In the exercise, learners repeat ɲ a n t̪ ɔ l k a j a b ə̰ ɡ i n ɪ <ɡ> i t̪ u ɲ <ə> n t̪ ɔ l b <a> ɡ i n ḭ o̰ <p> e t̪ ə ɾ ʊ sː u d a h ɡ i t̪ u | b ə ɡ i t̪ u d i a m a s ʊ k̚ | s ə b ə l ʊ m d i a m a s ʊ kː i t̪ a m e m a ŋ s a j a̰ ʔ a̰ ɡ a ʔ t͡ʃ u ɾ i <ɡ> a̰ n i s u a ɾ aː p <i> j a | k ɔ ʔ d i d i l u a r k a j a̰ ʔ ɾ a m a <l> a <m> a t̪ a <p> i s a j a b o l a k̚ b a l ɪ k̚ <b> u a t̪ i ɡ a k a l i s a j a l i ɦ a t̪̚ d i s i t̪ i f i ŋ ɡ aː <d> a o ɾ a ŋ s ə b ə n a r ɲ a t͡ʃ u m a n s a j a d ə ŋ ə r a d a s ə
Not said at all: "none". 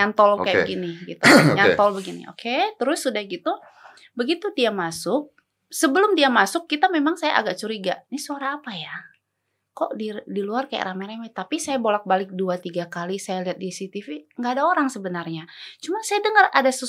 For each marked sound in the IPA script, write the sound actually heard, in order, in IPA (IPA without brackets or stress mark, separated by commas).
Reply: ɡ, a, ə, k, ɡ, a, ɾ, m, p, d, d